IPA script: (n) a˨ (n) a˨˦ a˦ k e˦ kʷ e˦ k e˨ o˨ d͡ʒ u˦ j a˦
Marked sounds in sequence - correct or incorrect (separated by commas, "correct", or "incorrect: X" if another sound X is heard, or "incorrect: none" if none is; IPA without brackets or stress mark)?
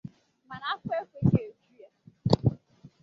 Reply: incorrect: m, correct